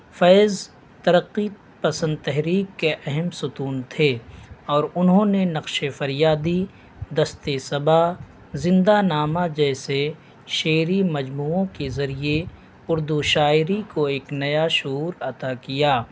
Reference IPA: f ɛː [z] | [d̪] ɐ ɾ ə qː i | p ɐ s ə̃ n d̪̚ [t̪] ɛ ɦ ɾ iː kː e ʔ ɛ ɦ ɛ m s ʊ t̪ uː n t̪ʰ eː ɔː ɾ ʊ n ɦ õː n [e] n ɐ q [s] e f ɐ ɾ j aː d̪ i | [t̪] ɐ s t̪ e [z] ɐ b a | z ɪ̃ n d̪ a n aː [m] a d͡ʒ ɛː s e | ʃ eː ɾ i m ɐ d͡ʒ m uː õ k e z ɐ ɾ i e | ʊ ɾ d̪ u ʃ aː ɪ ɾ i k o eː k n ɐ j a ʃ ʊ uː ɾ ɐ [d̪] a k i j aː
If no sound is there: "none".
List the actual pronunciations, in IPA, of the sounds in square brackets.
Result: z, t̪, t̪, e, ʃ, d̪, s, m, t̪

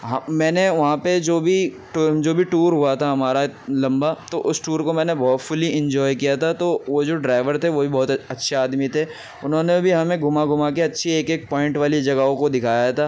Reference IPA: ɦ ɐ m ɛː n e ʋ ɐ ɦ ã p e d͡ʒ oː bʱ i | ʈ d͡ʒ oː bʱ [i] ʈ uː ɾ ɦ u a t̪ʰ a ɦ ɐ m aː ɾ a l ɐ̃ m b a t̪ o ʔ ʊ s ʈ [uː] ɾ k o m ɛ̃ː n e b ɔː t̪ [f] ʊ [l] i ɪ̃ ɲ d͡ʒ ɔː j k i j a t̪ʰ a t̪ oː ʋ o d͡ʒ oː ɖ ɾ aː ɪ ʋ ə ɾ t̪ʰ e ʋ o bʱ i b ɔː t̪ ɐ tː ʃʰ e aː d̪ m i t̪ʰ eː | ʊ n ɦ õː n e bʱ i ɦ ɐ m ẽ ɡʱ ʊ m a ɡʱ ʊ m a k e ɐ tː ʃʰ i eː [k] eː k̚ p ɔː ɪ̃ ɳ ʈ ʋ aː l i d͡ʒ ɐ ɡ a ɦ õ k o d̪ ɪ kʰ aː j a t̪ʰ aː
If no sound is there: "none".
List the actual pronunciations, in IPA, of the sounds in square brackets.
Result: i, uː, f, l, k

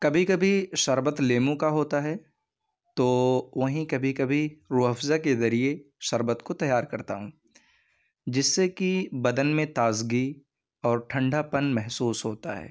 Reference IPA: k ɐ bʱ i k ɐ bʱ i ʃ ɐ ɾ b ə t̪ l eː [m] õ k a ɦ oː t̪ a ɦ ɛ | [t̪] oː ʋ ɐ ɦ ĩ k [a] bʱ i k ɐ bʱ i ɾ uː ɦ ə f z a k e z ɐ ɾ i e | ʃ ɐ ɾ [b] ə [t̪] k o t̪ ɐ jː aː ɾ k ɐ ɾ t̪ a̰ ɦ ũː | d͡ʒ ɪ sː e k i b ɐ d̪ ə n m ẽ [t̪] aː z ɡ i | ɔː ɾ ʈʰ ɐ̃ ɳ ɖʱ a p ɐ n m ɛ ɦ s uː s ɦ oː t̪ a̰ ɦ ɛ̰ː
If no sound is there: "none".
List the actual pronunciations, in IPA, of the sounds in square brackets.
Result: m, t̪, ɐ, b, t̪, t̪

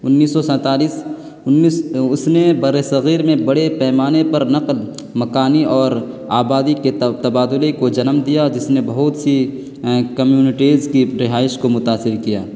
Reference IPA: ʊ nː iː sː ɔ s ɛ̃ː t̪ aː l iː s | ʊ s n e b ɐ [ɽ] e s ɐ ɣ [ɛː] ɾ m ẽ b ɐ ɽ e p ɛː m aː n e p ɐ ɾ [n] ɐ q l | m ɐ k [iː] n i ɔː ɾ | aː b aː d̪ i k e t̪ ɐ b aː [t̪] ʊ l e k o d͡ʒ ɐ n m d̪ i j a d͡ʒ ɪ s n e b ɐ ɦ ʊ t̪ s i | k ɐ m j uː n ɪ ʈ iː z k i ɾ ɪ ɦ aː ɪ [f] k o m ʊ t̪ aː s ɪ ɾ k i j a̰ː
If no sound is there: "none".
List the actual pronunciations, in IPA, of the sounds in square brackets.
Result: ɾ, iː, n, aː, d̪, ʃ

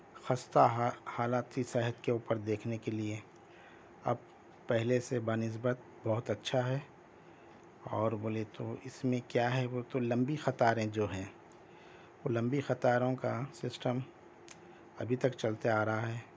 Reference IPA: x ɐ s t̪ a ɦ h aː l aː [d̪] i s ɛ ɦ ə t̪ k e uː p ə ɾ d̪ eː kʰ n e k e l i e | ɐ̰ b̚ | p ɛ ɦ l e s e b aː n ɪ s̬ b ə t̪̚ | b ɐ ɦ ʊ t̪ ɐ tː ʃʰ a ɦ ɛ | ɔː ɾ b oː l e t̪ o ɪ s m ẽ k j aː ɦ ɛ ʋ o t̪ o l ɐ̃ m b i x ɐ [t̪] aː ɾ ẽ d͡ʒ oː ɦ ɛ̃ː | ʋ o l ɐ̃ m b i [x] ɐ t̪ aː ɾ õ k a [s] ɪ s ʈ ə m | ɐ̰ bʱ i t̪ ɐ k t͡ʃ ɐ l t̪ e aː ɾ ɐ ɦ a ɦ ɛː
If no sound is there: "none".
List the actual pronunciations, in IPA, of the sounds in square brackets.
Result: t̪, t̪, x, s

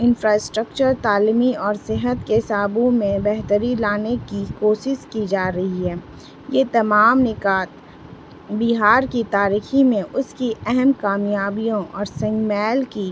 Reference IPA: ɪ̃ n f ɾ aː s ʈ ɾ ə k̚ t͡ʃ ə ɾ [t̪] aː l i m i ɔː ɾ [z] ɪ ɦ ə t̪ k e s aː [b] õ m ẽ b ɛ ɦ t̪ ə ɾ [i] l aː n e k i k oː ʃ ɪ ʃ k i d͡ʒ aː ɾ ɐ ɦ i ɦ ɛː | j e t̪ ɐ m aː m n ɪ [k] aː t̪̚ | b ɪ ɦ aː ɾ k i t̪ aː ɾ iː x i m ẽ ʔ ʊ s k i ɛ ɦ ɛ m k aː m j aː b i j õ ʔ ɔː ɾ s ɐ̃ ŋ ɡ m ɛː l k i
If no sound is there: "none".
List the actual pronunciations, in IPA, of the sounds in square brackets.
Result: t̪, s, b, i, k

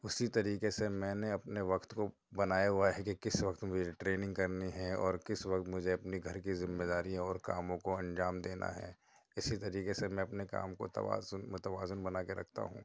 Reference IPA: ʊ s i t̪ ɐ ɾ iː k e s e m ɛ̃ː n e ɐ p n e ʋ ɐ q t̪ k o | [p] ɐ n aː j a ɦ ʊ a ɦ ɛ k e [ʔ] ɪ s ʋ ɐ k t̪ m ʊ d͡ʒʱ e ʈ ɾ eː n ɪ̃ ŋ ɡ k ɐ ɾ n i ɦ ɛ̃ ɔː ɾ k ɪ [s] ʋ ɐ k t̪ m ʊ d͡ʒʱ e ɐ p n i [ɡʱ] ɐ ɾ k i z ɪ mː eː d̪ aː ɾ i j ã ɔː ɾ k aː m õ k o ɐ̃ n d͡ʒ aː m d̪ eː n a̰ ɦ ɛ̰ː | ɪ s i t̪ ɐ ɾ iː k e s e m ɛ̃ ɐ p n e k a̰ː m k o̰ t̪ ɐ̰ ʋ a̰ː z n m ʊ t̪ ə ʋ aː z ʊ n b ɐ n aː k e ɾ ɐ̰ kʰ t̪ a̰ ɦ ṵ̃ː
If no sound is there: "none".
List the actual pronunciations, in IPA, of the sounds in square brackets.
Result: b, k, s, ɡʱ

